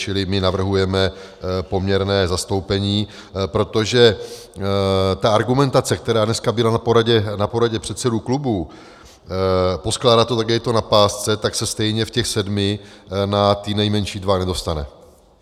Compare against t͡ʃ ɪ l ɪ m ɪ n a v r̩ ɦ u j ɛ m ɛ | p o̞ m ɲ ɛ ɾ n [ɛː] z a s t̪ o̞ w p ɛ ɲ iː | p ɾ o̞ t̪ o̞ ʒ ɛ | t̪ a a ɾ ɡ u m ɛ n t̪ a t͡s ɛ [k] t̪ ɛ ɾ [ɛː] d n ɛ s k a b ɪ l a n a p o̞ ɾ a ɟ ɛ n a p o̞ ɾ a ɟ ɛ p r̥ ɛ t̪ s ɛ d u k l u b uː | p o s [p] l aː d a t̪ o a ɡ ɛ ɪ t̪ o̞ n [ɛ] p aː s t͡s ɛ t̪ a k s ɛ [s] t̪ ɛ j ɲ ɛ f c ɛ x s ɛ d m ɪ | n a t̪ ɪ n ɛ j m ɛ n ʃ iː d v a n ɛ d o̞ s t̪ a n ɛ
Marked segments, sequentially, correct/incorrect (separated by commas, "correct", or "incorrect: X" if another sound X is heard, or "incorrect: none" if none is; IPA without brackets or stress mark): correct, correct, incorrect: aː, incorrect: k, incorrect: a, correct